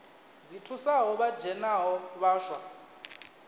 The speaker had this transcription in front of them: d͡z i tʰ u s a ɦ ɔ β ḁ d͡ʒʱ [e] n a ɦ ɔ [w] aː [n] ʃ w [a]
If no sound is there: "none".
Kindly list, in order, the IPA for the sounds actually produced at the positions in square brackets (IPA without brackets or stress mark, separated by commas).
ɛ, β, none, a